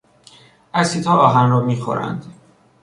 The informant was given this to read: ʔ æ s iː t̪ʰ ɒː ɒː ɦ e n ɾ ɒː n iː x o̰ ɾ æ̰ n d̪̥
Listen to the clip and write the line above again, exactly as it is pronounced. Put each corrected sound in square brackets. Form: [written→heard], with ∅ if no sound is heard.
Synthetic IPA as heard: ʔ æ s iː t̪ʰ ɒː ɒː ɦ [e→æ] n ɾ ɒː [n→m] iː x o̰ ɾ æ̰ n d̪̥